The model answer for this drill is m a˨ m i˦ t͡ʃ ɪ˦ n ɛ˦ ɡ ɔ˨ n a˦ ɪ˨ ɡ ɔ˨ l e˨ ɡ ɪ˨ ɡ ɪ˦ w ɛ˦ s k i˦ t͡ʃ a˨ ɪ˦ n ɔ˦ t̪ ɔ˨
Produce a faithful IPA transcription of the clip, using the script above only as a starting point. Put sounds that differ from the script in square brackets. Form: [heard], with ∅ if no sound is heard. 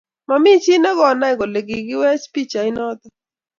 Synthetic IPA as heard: m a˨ m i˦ t͡ʃ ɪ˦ n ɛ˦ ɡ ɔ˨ n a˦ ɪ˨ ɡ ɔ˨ l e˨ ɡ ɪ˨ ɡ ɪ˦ w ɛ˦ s [p] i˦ t͡ʃ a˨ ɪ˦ n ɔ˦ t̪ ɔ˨